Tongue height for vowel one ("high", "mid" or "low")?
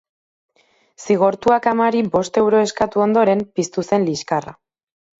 high